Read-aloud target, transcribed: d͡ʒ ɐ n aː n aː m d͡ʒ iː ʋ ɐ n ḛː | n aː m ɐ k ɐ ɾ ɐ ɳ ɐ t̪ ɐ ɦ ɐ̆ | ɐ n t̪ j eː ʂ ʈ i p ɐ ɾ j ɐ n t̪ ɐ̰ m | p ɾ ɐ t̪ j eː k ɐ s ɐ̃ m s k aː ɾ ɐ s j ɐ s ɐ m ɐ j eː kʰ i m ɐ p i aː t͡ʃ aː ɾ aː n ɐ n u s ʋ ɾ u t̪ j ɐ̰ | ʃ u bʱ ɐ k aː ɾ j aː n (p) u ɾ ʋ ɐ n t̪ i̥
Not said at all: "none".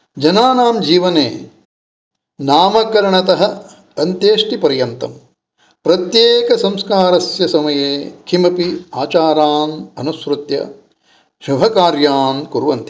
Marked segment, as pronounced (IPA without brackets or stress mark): k